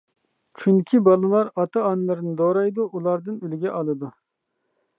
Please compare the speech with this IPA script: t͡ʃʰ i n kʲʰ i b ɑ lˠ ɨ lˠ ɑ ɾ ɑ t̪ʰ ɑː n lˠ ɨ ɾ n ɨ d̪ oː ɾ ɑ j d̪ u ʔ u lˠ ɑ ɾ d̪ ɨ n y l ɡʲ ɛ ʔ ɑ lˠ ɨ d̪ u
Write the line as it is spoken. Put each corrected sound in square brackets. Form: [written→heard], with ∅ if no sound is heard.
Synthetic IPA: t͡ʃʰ [i→y] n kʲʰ i b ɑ lˠ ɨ lˠ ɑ ɾ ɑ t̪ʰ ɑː n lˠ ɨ ɾ n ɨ d̪ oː ɾ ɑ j d̪ u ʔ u lˠ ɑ ɾ d̪ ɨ n y l ɡʲ ɛ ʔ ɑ lˠ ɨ d̪ u